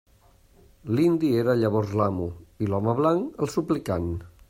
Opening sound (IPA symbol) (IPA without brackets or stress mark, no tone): l